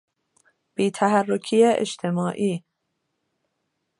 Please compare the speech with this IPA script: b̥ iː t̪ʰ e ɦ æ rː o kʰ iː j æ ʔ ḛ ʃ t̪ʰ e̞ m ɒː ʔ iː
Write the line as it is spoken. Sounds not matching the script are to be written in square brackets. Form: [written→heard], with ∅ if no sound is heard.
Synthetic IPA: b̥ iː t̪ʰ [e→æ] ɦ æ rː o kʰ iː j [æ→e] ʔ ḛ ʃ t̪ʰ e̞ m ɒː ʔ iː